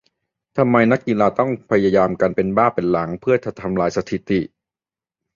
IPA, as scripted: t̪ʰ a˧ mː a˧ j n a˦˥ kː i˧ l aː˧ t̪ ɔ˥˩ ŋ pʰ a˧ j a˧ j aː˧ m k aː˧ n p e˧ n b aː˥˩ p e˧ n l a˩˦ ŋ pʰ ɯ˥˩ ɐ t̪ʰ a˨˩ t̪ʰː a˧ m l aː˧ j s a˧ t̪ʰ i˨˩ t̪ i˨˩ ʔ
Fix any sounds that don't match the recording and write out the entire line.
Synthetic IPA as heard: t̪ʰ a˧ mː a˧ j n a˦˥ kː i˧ l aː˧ t̪ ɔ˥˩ ŋ pʰ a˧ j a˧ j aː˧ m k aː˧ n p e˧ n b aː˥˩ p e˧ n l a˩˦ ŋ pʰ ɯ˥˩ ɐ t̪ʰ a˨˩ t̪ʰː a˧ m l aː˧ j s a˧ t̪ʰ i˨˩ t̪ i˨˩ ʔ